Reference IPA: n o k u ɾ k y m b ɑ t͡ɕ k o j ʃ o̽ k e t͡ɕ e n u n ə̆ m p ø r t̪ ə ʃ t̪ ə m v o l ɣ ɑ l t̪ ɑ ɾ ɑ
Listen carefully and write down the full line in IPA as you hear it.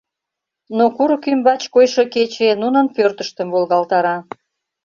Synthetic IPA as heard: n o k u ɾ k y m b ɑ t͡ɕ k o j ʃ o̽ k e t͡ɕ e n u n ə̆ n p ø r t̪ ə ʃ t̪ ə m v o l ɣ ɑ l t̪ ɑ ɾ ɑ